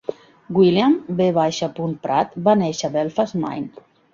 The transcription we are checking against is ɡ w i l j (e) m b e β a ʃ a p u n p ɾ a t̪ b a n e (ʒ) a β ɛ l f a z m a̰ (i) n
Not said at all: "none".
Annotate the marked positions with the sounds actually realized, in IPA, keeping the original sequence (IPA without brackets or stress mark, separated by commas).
a, ʃ, j